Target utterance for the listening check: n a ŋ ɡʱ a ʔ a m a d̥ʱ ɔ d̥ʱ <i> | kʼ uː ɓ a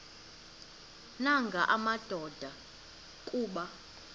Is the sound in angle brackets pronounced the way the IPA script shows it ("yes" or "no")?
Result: no